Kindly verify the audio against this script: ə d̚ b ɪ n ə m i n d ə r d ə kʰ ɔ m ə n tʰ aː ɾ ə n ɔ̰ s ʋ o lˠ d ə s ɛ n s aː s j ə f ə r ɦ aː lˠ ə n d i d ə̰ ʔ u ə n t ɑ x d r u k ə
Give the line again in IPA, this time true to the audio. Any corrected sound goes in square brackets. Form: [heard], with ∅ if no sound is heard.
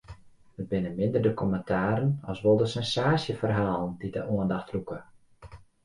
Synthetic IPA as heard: ə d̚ b ɪ n ə m [ɪ] n d ə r d ə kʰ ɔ m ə n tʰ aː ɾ ə n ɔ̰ s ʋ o lˠ d ə s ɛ n s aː s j ə f ə r ɦ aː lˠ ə n d i d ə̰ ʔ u ə n [d] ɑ x [t] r u k ə